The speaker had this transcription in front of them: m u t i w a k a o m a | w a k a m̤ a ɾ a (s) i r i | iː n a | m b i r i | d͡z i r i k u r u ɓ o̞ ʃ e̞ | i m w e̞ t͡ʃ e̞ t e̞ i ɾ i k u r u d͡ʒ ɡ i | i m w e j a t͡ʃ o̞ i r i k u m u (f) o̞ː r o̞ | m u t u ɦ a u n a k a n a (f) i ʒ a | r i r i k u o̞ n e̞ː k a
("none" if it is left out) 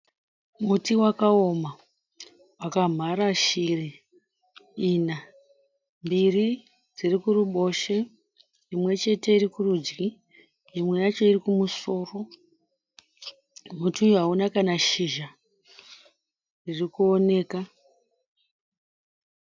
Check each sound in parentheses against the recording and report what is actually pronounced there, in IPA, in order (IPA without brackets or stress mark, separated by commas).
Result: ʃ, s, ʃ